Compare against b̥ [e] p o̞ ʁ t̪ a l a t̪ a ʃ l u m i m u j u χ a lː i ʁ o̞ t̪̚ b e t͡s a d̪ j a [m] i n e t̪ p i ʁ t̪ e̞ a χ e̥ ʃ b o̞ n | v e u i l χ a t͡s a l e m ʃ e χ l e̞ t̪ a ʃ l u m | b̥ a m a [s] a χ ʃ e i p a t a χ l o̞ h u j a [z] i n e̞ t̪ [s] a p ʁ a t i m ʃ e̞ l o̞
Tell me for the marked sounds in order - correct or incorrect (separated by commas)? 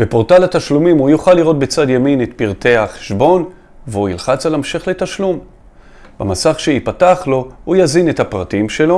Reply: correct, correct, correct, correct, incorrect